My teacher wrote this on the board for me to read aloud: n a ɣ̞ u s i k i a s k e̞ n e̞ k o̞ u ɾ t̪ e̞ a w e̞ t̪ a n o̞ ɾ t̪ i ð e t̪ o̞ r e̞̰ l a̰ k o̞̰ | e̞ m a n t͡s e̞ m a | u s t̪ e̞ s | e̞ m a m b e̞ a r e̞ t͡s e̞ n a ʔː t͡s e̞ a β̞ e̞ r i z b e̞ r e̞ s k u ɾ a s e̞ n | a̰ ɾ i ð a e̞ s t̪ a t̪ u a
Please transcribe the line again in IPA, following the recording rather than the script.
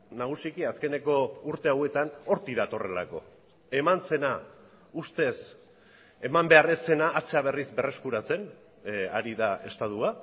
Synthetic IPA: n a ɣ̞ u s i k i a s k e̞ n e̞ k o̞ u ɾ t̪ e̞ a w e̞ t̪ a n o̞ ɾ t̪ i ð a t̪ o̞ r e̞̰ l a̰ k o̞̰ | e̞ m a n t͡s e̞ n a | u s t̪ e̞ s | e̞ m a m b e̞ a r e̞ t͡s e̞ n a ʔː t͡s e̞ a β̞ e̞ r i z b e̞ r e̞ s k u ɾ a t͡s e̞ n | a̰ ɾ i ð a e̞ s t̪ a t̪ u a